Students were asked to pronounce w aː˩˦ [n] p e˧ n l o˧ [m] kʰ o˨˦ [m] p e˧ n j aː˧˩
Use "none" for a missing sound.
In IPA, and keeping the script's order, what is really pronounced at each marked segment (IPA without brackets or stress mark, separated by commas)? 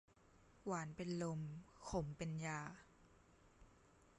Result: n, m, m